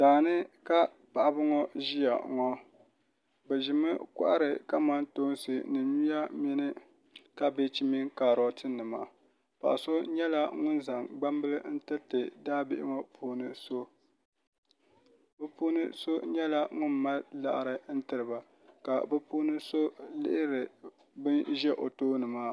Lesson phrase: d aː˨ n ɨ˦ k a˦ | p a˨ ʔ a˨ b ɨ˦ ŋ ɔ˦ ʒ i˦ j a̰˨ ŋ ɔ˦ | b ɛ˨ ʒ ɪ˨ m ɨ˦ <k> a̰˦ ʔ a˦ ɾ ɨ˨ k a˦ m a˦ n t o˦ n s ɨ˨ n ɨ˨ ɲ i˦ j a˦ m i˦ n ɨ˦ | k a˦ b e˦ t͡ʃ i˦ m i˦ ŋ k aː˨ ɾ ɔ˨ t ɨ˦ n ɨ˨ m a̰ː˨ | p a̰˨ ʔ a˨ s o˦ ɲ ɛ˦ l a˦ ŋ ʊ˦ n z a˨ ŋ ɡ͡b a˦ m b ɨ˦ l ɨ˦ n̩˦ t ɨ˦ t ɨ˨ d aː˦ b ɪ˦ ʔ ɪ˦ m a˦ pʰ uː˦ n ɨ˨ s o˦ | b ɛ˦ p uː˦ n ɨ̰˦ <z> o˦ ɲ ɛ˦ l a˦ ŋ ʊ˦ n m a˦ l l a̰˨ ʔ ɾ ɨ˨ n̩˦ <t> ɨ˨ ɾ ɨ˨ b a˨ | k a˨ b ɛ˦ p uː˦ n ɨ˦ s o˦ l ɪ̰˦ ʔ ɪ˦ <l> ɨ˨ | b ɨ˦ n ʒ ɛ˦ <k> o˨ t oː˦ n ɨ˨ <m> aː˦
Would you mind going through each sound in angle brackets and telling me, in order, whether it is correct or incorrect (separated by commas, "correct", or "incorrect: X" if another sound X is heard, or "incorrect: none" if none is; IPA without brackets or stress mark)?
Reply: correct, incorrect: s, correct, incorrect: ɾ, incorrect: ʔ, correct